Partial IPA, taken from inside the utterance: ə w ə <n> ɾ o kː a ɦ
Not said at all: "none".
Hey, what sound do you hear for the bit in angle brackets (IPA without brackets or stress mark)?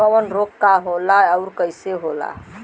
n